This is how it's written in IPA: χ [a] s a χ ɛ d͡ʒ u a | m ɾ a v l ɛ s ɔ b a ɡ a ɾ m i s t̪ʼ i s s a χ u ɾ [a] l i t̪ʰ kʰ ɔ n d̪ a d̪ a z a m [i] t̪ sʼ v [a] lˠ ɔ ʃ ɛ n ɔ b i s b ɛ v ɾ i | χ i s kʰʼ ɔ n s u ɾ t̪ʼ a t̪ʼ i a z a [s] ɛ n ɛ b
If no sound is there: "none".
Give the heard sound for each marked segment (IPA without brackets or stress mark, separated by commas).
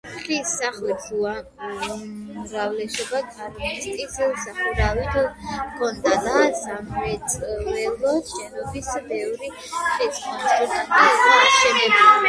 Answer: i, a, ɛ, ɛ, ʃ